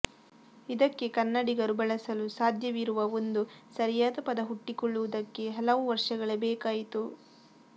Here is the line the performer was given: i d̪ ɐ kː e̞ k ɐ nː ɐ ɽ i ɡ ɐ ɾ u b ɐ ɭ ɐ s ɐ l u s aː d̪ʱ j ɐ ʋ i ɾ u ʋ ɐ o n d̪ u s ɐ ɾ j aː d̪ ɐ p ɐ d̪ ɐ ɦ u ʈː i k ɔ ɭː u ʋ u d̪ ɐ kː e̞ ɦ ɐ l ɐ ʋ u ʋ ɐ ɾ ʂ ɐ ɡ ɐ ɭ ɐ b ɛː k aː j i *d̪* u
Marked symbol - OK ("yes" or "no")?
no